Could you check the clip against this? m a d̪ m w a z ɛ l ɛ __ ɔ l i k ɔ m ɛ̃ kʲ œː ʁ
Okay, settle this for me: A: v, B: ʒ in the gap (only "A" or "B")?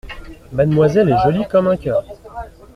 B